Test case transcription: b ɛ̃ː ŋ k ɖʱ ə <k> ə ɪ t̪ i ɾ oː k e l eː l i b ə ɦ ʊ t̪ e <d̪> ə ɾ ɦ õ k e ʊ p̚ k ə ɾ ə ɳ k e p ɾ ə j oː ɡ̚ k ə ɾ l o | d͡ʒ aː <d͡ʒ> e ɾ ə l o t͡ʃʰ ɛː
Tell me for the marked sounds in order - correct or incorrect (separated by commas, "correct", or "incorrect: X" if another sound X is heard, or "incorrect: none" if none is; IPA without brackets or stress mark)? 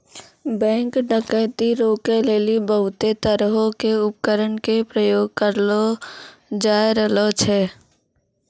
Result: correct, incorrect: t̪, incorrect: none